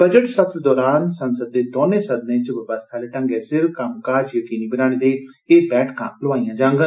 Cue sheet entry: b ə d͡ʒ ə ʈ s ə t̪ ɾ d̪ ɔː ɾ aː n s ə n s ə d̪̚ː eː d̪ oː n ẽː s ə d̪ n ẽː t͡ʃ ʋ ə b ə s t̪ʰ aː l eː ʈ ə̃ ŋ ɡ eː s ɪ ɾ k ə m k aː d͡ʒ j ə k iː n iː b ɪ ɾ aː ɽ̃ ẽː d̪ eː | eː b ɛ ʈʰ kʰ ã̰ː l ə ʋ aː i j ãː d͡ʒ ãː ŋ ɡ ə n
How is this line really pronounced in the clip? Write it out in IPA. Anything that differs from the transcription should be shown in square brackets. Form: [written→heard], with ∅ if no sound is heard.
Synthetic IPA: b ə d͡ʒ ə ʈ s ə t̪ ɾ d̪ ɔː ɾ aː n s ə n s ə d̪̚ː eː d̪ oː n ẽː s ə d̪ n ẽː t͡ʃ ʋ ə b ə s t̪ʰ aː l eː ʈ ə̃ ŋ ɡ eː s ɪ ɾ k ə m k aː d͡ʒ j ə k iː n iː b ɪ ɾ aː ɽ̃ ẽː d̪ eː | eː b [ɛ→ɛː] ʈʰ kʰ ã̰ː l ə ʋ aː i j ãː d͡ʒ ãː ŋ ɡ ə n